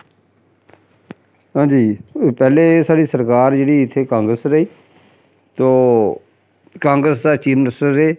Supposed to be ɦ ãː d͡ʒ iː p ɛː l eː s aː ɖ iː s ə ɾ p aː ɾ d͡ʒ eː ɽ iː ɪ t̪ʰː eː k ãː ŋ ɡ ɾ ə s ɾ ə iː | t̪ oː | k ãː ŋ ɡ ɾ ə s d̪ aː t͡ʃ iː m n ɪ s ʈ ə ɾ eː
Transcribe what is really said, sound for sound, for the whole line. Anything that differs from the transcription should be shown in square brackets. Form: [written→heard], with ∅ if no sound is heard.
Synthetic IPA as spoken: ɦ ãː d͡ʒ iː p ɛː l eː s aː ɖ iː s ə ɾ [p→k] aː ɾ d͡ʒ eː ɽ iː ɪ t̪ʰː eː k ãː ŋ ɡ ɾ ə s ɾ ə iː | t̪ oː | k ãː ŋ ɡ ɾ ə s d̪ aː t͡ʃ iː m n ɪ s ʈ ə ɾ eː